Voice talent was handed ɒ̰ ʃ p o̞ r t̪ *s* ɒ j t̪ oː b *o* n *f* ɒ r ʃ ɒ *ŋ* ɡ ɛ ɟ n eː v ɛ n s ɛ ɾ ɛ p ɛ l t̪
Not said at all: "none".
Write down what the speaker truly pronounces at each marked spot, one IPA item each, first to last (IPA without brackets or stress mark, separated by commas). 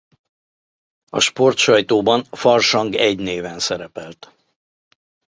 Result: ʃ, ɒ, f, ŋ